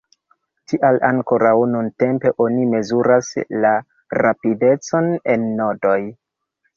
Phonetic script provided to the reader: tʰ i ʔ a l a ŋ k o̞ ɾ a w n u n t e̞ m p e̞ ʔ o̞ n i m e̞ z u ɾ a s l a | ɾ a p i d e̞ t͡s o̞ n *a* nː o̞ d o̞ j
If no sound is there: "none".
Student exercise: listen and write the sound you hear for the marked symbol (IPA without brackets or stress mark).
e